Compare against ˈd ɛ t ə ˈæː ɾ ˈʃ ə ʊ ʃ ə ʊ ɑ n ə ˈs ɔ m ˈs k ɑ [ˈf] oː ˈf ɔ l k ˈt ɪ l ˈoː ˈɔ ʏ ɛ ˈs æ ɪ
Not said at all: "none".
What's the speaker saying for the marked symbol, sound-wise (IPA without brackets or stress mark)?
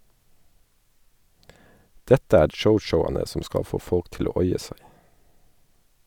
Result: f